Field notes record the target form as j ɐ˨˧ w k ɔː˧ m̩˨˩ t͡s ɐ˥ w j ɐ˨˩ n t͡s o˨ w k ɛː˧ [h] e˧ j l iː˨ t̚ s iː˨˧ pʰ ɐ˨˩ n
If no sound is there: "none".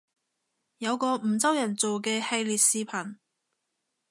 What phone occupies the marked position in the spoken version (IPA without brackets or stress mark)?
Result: h